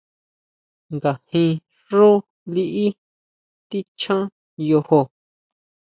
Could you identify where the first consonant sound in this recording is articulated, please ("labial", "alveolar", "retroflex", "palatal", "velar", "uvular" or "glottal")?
velar